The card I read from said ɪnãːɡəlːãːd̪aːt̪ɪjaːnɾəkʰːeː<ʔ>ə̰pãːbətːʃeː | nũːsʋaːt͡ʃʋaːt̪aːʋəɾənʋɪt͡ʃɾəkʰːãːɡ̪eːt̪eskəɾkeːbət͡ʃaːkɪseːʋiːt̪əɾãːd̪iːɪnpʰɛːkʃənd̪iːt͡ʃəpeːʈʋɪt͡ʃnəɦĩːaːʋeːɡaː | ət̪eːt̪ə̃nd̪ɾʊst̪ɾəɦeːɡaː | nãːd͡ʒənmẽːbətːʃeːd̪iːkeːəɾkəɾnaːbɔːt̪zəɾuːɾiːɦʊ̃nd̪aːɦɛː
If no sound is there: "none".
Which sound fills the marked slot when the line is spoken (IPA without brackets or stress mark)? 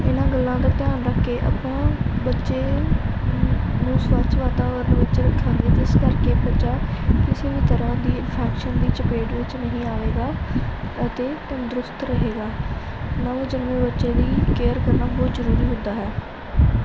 ʔ